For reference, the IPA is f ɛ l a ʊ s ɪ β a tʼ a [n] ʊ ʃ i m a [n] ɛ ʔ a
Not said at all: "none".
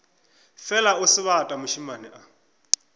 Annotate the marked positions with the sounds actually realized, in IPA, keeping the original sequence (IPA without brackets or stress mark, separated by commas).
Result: m, n